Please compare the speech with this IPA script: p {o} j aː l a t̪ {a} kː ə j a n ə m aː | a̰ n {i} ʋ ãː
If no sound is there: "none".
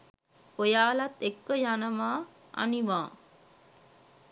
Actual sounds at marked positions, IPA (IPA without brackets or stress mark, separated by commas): o, e, i